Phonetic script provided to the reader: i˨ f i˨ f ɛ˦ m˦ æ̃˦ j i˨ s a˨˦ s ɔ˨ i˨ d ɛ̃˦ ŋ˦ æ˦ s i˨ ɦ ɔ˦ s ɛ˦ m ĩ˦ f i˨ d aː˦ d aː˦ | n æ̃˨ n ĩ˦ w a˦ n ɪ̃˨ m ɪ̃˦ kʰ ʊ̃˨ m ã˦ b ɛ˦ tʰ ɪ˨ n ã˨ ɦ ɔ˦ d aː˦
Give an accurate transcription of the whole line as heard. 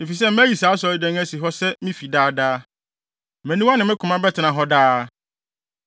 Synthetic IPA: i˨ f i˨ s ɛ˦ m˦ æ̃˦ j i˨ s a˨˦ s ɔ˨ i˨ d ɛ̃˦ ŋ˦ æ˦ s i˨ ɦ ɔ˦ s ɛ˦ m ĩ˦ f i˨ d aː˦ d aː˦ | m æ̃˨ n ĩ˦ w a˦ n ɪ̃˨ m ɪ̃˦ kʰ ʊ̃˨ m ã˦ b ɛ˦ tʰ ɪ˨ n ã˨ ɦ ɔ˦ d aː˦